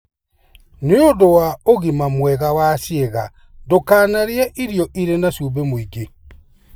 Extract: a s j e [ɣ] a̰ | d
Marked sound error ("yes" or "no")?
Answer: no